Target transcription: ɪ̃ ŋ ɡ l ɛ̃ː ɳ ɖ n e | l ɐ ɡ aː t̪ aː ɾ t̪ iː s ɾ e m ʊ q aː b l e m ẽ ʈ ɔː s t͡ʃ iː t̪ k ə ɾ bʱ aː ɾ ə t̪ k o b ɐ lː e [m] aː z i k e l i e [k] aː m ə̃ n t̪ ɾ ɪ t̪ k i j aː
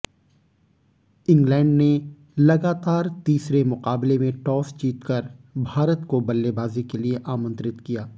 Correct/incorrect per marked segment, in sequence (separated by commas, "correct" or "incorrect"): incorrect, incorrect